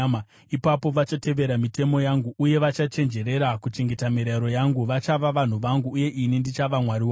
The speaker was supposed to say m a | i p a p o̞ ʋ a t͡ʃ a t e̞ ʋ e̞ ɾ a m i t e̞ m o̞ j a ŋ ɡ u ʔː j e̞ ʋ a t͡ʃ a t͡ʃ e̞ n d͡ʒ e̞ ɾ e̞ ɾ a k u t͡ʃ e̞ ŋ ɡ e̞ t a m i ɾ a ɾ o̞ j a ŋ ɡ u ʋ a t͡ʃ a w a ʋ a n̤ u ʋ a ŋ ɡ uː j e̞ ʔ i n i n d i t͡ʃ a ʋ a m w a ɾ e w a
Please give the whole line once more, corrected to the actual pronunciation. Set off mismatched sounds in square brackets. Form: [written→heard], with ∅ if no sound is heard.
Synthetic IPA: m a | i p a p o̞ ʋ a t͡ʃ a t e̞ ʋ e̞ ɾ a m i t e̞ m o̞ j a ŋ ɡ u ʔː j e̞ ʋ a t͡ʃ a t͡ʃ e̞ n d͡ʒ e̞ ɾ e̞ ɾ a k u t͡ʃ e̞ ŋ ɡ e̞ t a m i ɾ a ɾ o̞ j a ŋ ɡ u ʋ a t͡ʃ a [w→ʋ] a ʋ a n̤ u ʋ a ŋ ɡ uː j e̞ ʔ i n i n d i t͡ʃ a ʋ a m w a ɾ [e→i] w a